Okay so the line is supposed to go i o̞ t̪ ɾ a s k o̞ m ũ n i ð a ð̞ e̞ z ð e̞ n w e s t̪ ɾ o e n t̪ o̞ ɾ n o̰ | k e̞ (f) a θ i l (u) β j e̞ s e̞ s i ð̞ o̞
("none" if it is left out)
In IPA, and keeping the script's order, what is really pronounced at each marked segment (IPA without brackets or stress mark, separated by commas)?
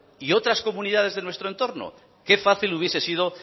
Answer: f, u